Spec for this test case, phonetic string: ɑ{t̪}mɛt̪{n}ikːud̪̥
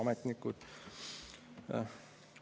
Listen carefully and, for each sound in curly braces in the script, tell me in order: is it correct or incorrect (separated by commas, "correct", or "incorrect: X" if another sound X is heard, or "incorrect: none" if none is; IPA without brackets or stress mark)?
incorrect: none, correct